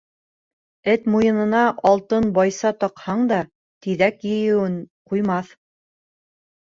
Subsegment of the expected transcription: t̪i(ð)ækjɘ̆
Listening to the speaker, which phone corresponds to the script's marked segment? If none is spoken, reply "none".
ð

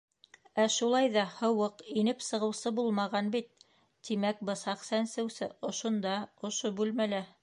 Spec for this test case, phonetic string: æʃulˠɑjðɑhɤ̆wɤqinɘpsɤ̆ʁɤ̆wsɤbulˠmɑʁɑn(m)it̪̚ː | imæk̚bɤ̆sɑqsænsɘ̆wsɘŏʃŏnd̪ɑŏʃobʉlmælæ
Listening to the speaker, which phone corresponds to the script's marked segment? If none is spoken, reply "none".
b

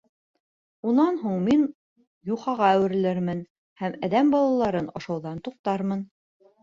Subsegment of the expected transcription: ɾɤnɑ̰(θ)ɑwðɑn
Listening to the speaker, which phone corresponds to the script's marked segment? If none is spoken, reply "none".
ʃ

